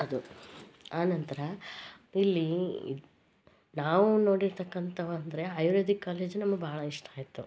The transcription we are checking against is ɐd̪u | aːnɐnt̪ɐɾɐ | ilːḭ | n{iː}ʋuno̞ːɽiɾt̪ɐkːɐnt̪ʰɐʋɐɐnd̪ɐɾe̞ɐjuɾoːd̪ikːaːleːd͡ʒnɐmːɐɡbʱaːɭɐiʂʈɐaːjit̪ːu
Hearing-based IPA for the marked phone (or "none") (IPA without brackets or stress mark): aː